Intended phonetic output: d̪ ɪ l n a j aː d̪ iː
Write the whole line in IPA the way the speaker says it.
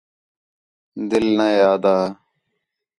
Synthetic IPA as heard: d̪ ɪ l n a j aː d̪ aː